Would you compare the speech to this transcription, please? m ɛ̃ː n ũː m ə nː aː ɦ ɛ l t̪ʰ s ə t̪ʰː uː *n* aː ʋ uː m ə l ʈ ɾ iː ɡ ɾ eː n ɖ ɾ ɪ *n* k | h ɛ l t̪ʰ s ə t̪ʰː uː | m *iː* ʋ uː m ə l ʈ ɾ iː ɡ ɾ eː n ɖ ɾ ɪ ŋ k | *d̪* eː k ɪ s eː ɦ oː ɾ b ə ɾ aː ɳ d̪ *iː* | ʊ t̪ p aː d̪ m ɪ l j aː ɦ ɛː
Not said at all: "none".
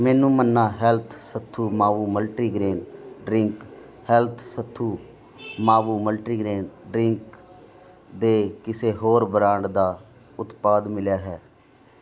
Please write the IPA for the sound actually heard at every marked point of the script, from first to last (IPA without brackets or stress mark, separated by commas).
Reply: m, ŋ, aː, d̪, aː